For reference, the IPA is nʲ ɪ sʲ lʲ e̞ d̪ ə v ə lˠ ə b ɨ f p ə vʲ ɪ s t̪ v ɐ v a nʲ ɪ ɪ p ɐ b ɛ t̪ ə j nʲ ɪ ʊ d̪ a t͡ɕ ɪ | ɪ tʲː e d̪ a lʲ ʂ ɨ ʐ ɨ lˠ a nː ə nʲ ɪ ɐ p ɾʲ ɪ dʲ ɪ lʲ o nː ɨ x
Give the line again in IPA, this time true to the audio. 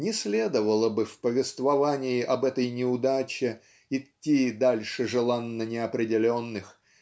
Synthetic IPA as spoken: nʲ ɪ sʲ lʲ e̞ d̪ ə v ə lˠ ə b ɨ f p ə vʲ ɪ s t̪ v ɐ v a nʲ ɪ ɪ ʔ ɐ b ɛ t̪ ə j nʲ ɪ ʊ d̪ a t͡ɕ ɪ | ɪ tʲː i d̪ a lʲ ʂ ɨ ʐ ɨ lˠ a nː ə nʲ ɪ ɐ p ɾʲ ɪ dʲ ɪ lʲ o nː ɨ x